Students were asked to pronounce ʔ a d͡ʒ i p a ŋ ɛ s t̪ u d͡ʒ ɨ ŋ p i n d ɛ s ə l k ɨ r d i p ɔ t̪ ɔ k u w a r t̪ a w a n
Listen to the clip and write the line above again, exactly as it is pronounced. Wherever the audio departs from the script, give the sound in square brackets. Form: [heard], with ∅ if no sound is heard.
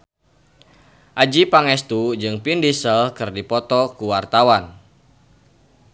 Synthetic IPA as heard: ʔ a d͡ʒ i p a ŋ ɛ s t̪ u d͡ʒ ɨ ŋ p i n d [i] s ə l k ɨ r d i p ɔ t̪ ɔ k u w a r t̪ a w a n